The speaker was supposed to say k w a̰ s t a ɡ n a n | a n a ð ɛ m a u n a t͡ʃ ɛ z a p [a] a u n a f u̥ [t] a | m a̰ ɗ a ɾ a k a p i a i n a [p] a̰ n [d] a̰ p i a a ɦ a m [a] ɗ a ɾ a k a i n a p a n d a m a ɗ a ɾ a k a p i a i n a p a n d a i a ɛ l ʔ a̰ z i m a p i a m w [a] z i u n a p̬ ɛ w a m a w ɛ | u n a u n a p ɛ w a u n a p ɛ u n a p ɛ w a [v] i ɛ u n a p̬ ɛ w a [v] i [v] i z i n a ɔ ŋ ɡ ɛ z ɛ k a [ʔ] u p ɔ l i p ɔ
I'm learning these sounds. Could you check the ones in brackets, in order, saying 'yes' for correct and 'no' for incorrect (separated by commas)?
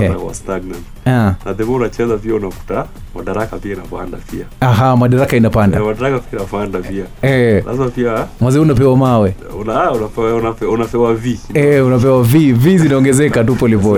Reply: no, yes, yes, yes, yes, yes, yes, yes, yes, no